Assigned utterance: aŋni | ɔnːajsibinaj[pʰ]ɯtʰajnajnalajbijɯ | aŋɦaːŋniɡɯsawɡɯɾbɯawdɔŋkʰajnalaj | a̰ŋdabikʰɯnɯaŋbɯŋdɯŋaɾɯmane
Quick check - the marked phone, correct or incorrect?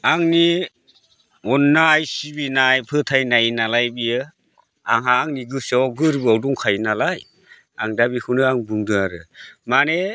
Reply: correct